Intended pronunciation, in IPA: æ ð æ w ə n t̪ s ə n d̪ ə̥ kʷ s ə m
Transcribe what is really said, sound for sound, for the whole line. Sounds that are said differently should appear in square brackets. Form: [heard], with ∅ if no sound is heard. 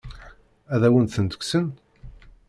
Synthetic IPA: æ ð æ w ə n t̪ [θ] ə n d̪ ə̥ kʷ s ə [n]